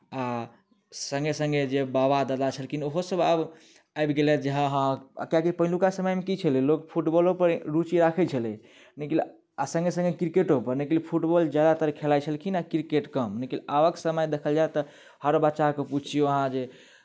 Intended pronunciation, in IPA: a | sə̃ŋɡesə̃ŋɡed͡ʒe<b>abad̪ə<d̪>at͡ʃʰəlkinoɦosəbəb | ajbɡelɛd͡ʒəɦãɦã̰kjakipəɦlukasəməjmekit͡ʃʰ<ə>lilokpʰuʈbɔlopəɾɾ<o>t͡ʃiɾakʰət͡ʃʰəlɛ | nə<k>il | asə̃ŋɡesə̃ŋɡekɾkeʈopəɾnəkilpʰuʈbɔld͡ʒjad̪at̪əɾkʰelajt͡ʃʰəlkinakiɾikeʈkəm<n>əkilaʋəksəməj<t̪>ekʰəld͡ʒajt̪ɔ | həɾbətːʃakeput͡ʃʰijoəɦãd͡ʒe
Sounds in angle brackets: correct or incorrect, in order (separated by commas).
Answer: correct, correct, correct, incorrect, correct, correct, incorrect